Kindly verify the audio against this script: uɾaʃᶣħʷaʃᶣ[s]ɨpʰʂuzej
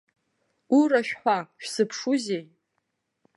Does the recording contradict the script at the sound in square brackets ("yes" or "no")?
no